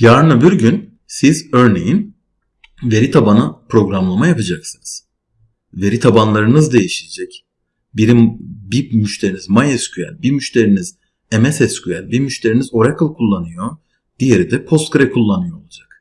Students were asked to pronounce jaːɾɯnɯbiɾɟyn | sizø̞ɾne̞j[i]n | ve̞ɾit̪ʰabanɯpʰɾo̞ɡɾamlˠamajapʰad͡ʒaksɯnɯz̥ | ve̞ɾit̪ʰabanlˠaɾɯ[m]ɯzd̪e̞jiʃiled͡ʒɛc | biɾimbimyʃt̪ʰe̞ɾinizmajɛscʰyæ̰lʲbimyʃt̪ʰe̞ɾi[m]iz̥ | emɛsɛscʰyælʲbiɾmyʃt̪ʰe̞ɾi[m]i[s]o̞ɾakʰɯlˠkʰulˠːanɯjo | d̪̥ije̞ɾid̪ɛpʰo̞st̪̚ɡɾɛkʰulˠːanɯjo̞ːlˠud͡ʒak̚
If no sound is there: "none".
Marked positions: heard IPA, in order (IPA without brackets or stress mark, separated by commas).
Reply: i, n, n, n, z